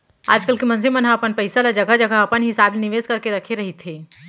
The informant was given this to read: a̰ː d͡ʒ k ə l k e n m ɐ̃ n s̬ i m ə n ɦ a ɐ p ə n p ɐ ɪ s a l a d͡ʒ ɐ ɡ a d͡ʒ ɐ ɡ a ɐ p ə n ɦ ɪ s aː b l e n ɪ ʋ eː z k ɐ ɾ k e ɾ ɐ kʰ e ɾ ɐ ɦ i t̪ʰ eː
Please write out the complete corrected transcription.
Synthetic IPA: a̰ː d͡ʒ k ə l k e m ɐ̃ n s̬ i m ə n ɦ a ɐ p ə n p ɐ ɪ s a l a d͡ʒ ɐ ɡ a d͡ʒ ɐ ɡ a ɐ p ə n ɦ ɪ s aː b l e n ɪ ʋ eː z k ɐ ɾ k e ɾ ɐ kʰ e ɾ ɐ ɦ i t̪ʰ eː